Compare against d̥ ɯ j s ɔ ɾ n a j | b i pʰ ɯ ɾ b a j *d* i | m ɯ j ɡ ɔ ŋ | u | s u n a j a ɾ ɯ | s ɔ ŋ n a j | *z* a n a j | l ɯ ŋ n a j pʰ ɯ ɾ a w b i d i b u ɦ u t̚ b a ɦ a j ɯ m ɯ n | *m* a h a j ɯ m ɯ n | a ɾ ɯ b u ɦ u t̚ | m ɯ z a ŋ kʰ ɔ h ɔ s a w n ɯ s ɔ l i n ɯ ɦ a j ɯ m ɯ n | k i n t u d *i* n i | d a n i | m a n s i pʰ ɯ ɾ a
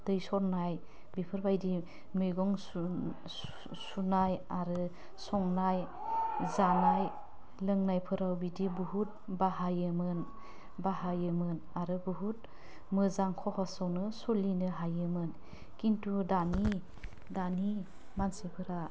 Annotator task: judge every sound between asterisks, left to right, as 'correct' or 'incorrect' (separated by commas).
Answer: correct, correct, incorrect, incorrect